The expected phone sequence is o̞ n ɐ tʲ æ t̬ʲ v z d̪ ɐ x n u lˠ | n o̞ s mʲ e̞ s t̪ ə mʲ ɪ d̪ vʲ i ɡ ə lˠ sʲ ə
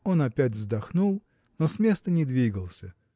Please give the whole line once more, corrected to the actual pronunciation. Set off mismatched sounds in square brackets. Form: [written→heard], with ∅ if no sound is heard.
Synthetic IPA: o̞ n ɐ [tʲ→pʲ] æ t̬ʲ v z d̪ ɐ x n u lˠ | n o̞ s mʲ e̞ s t̪ ə [mʲ→nʲ] ɪ d̪ vʲ i ɡ ə lˠ sʲ ə